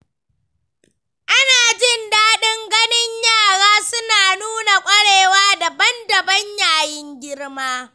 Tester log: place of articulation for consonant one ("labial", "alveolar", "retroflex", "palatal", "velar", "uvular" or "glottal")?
glottal